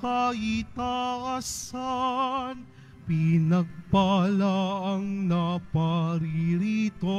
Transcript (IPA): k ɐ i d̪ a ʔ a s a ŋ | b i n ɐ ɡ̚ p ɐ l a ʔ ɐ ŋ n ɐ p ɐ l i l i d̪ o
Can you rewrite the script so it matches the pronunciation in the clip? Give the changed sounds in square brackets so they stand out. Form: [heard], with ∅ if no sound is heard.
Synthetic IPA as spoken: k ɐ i [t̪] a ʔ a s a [n] | [p] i n ɐ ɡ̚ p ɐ l a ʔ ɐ ŋ n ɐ p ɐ [ɾ] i [ɾ] i [t̪] o